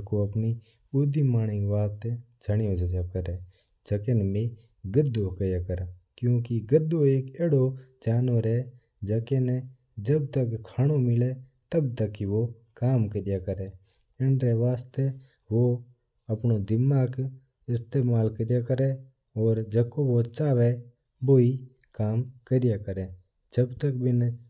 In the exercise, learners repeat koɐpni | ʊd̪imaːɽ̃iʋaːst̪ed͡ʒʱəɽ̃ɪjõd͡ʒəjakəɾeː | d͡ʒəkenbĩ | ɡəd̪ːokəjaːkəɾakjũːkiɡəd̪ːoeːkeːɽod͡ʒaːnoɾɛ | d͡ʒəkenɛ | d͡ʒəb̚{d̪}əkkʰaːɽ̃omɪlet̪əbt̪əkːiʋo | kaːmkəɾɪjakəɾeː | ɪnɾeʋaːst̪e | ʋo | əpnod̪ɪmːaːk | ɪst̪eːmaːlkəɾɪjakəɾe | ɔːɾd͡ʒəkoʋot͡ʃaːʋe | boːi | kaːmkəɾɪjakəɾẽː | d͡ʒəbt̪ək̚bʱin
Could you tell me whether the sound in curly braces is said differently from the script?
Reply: yes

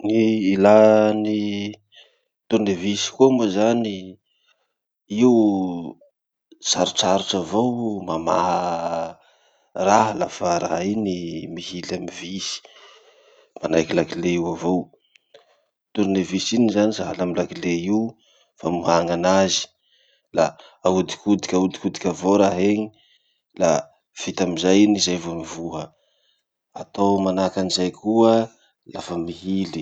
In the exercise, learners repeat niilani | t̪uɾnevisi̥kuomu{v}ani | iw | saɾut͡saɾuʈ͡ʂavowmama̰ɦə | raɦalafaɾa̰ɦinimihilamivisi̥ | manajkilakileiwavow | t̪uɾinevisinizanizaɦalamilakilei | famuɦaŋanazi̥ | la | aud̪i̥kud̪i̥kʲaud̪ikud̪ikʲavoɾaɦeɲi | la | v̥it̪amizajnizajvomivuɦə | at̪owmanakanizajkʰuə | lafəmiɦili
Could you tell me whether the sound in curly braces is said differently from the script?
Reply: yes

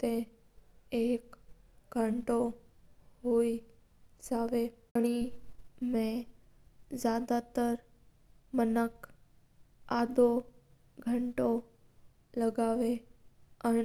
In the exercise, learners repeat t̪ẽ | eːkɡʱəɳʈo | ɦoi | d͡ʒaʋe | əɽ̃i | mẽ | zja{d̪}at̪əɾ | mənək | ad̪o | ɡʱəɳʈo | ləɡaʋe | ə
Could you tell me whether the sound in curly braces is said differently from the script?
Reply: no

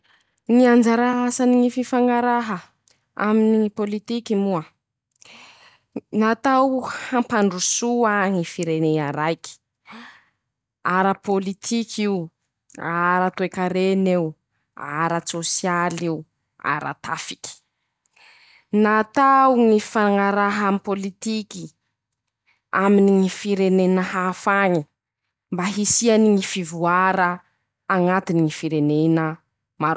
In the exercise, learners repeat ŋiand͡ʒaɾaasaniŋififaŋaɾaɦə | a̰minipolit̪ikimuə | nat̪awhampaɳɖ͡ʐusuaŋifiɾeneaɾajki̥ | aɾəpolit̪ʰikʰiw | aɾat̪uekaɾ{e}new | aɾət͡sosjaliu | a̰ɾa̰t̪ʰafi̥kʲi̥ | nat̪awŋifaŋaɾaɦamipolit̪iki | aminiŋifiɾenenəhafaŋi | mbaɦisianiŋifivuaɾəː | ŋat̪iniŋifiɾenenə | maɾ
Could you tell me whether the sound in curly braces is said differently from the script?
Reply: no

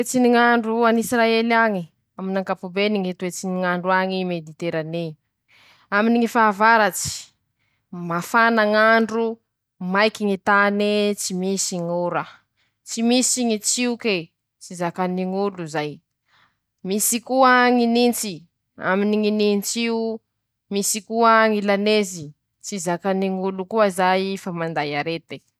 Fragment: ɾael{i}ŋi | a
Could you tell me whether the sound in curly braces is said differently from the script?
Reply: yes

